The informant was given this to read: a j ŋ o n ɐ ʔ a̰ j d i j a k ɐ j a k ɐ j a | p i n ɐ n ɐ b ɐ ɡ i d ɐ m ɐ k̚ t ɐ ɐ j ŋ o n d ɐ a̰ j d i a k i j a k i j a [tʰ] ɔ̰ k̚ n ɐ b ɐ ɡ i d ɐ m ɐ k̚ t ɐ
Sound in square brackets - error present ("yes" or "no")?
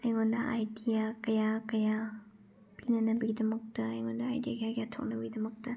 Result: no